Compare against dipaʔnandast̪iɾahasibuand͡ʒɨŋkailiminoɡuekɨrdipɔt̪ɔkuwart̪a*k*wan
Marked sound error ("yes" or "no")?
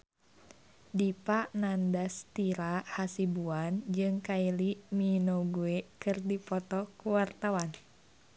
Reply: yes